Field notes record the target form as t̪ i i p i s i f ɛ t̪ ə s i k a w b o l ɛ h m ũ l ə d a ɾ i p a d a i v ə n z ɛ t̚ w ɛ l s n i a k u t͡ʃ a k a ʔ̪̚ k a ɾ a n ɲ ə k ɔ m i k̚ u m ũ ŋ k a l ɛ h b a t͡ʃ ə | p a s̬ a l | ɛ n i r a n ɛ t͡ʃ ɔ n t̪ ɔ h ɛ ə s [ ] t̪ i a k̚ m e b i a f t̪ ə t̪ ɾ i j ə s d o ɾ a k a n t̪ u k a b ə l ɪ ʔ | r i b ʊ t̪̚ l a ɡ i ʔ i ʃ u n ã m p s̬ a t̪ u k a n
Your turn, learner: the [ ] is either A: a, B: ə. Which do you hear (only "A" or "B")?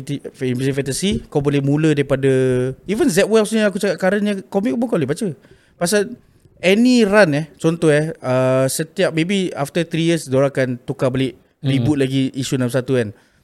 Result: B